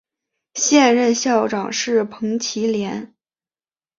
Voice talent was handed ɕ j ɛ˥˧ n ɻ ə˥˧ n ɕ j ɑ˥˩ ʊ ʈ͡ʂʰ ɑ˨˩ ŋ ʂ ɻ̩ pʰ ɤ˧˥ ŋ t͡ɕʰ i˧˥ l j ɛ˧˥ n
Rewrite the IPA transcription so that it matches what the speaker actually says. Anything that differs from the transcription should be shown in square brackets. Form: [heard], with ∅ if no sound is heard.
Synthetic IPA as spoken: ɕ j ɛ˥˧ n ɻ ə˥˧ n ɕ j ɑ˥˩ ʊ [ʈ͡ʂ] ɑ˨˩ ŋ ʂ ɻ̩ pʰ ɤ˧˥ ŋ t͡ɕʰ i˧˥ l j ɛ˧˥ n